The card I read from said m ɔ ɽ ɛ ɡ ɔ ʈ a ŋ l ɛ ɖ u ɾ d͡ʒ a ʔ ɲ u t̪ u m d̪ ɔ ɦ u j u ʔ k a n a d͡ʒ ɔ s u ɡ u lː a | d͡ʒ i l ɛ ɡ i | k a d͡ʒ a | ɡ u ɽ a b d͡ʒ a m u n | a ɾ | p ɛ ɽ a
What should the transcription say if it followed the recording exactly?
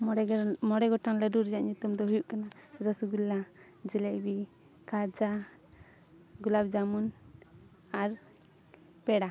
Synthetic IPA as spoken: m ɔ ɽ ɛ ɡ ɔ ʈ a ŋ l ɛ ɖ u ɾ d͡ʒ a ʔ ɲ u t̪ u m d̪ ɔ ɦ u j u ʔ k a n a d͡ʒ ɔ s u ɡ u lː a | d͡ʒ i l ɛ b i | k a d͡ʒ a | ɡ u l a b d͡ʒ a m u n | a ɾ | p ɛ ɽ a